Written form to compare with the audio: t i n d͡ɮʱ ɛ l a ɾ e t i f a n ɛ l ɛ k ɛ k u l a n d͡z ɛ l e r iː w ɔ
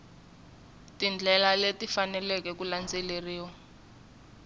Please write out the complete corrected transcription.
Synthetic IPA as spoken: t i n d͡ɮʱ ɛ l a l e t i f a n ɛ l ɛ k ɛ k u l a n d͡z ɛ l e r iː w ɔ